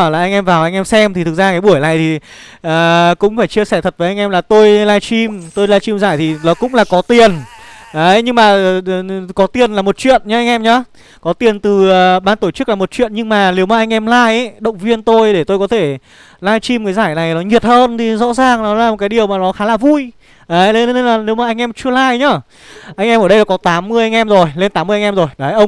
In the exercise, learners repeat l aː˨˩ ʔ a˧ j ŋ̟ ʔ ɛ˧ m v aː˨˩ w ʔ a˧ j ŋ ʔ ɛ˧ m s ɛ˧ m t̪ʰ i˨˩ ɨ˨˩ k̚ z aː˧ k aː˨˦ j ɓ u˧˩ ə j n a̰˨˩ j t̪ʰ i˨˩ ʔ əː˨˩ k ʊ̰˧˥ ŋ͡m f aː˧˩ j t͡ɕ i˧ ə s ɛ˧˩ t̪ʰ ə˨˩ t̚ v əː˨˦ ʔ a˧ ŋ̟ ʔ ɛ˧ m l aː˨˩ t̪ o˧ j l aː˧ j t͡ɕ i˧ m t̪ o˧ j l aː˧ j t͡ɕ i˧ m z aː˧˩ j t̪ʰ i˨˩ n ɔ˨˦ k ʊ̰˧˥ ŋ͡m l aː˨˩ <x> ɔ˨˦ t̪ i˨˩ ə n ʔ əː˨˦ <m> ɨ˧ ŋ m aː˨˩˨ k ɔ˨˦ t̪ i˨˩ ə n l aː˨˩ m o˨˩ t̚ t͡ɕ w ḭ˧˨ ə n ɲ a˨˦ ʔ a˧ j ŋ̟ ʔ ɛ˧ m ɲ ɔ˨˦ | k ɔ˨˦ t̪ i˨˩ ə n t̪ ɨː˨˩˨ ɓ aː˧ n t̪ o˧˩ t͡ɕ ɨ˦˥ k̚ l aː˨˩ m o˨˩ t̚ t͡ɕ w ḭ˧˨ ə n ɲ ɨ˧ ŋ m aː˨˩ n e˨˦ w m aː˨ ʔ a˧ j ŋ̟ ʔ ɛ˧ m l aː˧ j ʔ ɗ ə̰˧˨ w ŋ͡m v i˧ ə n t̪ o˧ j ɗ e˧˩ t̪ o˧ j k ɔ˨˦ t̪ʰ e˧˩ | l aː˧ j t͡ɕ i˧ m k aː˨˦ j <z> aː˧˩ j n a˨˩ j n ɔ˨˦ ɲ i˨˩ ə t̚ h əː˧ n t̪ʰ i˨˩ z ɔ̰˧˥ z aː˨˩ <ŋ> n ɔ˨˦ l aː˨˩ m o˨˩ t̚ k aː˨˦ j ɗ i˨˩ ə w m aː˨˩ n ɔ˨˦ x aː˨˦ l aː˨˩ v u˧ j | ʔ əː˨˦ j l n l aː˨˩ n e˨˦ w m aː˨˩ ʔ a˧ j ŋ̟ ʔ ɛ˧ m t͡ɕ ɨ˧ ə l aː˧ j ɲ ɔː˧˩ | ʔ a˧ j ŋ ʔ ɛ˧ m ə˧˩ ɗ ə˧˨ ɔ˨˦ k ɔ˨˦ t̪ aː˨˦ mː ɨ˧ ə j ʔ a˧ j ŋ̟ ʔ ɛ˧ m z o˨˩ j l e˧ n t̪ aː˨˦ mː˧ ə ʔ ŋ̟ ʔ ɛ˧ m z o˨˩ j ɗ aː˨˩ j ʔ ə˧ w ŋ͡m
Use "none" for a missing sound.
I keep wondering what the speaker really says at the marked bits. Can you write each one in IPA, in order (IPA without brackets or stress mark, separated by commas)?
k, ɲ, z, ŋ